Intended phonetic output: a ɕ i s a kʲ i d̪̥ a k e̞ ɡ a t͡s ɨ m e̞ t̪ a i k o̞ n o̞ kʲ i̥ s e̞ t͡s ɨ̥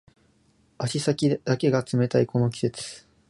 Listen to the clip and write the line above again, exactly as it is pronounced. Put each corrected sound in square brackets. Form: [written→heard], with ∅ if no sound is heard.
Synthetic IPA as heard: a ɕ i s a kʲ i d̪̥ a k e̞ ɡ a t͡s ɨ m e̞ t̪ a i k o̞ n o̞ kʲ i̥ s e̞ t͡s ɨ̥